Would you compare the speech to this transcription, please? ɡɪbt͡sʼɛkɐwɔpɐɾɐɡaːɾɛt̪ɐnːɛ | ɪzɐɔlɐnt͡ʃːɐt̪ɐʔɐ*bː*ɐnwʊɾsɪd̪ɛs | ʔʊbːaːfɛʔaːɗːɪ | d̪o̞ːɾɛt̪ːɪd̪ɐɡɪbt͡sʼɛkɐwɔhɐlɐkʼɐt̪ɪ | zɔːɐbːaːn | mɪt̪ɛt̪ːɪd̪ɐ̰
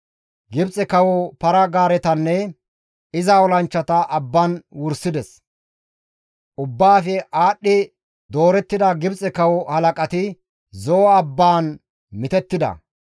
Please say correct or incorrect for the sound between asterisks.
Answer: correct